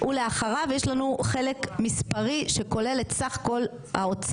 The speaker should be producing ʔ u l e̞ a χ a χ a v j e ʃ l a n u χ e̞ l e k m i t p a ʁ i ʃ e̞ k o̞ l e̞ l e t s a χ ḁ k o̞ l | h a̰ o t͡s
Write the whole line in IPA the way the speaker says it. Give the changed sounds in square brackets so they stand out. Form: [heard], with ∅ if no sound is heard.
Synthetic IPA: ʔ u l e̞ a χ a [ʁ] a v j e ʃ l a n u χ e̞ l e k m i [s] p a ʁ i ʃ e̞ k o̞ l e̞ l e t s a χ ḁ k o̞ l | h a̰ o t͡s

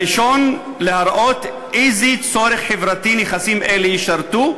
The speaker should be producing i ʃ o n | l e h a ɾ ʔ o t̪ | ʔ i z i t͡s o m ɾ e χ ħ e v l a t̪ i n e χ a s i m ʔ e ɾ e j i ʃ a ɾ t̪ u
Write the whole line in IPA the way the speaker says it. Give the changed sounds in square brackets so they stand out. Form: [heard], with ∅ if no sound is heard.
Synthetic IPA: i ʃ o n | l e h a ɾ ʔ o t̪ | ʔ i z i t͡s o [∅] ɾ e χ ħ e v [ɾ] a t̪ i n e χ a s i m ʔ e [l] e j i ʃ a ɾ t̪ u

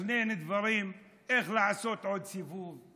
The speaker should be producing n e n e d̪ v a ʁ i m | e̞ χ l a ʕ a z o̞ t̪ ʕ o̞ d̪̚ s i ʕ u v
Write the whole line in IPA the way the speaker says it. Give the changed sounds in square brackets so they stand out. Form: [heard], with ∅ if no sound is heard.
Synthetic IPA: n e n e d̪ v a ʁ i m | e̞ χ l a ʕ a [s] o̞ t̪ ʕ o̞ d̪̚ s i [v] u v

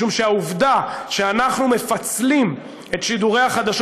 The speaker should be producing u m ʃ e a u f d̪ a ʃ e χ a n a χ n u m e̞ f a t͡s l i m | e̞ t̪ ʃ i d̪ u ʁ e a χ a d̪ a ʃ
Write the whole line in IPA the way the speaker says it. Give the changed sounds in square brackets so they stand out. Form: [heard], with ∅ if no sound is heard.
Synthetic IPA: u m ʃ e a u [v] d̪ a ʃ e [∅] a n a χ n u m e̞ f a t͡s l i m | e̞ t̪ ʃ i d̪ u ʁ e a χ a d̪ a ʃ

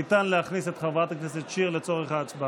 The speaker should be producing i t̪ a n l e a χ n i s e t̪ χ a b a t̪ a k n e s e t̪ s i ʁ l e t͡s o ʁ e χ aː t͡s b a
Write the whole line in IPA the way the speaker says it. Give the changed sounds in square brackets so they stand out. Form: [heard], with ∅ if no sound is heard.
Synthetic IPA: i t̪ a n l e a χ n i s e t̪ χ a [v] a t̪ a k n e s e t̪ [ʃ] i ʁ l e t͡s o ʁ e χ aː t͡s b a

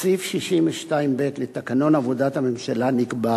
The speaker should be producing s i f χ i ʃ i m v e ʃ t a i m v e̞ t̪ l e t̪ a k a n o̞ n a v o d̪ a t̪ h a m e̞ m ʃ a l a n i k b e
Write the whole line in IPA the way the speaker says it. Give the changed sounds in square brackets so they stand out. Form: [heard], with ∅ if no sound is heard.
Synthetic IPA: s i f [ʃ] i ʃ i m v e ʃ t a i m [b] e̞ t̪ l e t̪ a k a n o̞ n a v o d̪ a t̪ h a m e̞ m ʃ a l a n i k b [a]

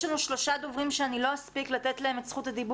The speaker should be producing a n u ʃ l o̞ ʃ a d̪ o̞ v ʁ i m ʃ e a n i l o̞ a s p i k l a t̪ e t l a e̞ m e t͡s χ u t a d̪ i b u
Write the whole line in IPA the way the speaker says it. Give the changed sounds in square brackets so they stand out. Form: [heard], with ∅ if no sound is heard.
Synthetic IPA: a n u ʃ l o̞ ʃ a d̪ o̞ v ʁ i m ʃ e a n i l o̞ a s p i k l a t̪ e t l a e̞ m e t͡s χ u t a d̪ i b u

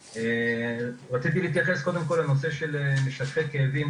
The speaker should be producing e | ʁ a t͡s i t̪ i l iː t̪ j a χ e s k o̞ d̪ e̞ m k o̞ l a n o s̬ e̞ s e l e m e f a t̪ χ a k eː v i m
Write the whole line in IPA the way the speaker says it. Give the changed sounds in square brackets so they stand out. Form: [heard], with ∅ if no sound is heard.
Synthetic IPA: e | ʁ a t͡s i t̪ i l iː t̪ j a χ e s k o̞ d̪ e̞ m k o̞ l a n o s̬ e̞ [ʃ] e l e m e [ʃ] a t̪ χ [e] k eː v i m

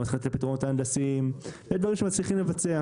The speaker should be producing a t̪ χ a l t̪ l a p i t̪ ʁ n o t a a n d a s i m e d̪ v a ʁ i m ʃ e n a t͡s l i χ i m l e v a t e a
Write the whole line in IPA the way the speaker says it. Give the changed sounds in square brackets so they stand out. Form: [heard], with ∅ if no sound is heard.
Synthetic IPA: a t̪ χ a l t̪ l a p i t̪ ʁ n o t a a n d a s i m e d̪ v a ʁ i m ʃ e [m] a t͡s l i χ i m l e v a [t͡s] e a

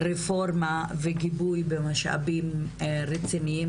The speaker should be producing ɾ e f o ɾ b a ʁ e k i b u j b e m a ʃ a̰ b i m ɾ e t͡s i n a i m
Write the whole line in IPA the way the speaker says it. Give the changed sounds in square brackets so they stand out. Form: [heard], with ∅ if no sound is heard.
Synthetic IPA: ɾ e f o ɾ [m] a [v] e [ɡ] i b u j b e m a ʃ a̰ b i m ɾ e t͡s i n [i] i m

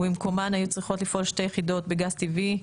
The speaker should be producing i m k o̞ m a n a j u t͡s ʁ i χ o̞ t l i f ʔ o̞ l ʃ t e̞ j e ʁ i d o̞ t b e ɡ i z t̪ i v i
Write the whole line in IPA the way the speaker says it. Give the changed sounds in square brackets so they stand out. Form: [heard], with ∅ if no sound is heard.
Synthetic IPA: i m k o̞ m a n a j u t͡s ʁ i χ o̞ t l i f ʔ o̞ l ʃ t e̞ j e [χ] i d o̞ t b e ɡ [a] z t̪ i v i

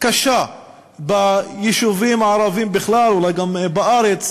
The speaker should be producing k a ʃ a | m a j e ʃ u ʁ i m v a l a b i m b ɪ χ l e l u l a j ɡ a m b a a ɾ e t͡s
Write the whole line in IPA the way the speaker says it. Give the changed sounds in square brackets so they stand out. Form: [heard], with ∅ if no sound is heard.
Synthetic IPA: k a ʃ a | [b] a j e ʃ u [v] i m [ʕ] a [ɾ] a [v] i m b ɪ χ l [a] l u l a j ɡ a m b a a ɾ e t͡s

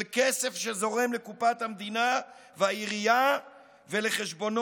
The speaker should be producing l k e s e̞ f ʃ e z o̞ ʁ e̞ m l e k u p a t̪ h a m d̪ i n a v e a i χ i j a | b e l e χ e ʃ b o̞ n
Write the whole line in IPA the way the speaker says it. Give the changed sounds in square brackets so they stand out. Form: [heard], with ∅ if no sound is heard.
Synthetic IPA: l k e s e̞ f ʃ e z o̞ ʁ e̞ m l e k u p a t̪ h a m d̪ i n a v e a i [ʁ] i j a | [v] e l e χ e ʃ b o̞ n

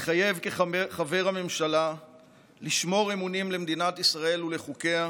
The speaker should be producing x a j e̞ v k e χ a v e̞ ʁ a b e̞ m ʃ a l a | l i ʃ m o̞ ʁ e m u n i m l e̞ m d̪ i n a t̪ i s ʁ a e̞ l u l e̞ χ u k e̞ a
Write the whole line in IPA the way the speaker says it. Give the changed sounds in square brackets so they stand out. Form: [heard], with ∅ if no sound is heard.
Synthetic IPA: [χ] a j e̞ v k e χ a v e̞ ʁ a [m] e̞ m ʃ a l a | l i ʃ m o̞ ʁ e m u n i m l e̞ m d̪ i n a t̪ i s ʁ a e̞ l u l e̞ χ u k e̞ a

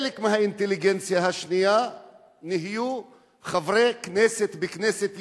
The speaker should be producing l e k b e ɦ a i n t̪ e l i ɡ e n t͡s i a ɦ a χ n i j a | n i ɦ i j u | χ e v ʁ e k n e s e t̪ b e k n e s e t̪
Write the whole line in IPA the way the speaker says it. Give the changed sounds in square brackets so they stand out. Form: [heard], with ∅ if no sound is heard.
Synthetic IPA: l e k [m] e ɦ a i n t̪ e l i ɡ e n t͡s [j] a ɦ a [ʃ] n i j a | n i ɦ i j u | χ [a] v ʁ e k n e s e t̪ b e k n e s e t̪

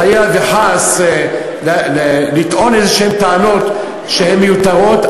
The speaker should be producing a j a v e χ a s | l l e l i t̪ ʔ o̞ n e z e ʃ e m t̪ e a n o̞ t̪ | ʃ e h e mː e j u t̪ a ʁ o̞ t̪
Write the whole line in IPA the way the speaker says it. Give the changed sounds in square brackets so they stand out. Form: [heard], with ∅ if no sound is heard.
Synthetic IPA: a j a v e [ħ] a s | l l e l i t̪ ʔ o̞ n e z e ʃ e m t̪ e a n o̞ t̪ | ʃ e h e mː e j u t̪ a ʁ o̞ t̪

